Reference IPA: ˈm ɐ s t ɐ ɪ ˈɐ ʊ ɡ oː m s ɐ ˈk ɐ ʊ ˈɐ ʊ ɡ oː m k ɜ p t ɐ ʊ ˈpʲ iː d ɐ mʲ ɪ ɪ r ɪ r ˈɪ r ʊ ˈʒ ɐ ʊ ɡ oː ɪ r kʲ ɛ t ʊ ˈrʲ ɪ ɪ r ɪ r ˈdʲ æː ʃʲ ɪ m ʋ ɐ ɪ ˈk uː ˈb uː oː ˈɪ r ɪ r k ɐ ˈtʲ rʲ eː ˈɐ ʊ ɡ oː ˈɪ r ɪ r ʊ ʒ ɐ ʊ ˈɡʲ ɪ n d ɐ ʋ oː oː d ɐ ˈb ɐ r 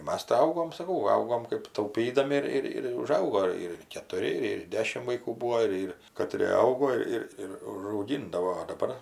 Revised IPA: ˈm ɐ s t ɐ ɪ ˈɐ ʊ ɡ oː m s ɐ ˈk ɐ ʊ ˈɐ ʊ ɡ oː m k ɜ p t ɐ ʊ ˈpʲ iː d ɐ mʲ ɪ ɪ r ɪ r ˈɪ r ʊ ˈʒ ɐ ʊ ɡ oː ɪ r kʲ ɛ t ʊ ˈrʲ ɪ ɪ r ɪ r ˈdʲ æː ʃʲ ɪ m ʋ ɐ ɪ ˈk uː ˈb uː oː ˈɪ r ɪ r k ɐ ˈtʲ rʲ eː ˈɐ ʊ ɡ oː ˈɪ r ɪ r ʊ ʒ ɐ ʊ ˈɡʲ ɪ n d ɐ ʋ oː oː d ɐ ˈb ɐ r